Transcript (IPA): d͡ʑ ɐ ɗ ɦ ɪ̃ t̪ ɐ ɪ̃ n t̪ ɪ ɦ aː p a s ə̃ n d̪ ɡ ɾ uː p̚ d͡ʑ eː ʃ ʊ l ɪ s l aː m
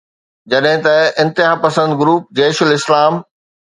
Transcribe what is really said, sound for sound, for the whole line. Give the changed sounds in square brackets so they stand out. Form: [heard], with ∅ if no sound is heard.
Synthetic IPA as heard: d͡ʑ ɐ ɗ ɦ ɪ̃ t̪ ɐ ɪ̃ n t̪ ɪ ɦ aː p [ɐ] s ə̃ n d̪ ɡ ɾ uː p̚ d͡ʑ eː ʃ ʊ l ɪ s l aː m